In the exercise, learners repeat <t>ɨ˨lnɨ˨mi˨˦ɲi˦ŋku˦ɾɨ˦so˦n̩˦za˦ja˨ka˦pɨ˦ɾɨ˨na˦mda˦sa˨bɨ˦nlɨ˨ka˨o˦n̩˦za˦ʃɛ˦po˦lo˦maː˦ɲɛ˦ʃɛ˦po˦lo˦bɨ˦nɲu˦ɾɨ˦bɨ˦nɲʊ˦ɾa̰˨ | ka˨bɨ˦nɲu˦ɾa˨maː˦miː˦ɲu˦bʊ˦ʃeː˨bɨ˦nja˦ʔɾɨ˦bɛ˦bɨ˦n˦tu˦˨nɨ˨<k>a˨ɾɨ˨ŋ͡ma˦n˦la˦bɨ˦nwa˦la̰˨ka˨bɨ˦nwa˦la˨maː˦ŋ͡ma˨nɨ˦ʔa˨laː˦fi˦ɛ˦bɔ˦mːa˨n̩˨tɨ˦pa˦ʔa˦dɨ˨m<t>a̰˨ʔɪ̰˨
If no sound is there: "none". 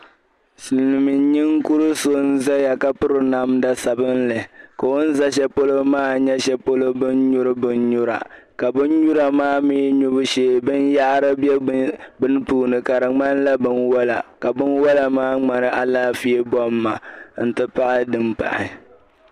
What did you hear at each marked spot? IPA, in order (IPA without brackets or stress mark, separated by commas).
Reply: s, k, p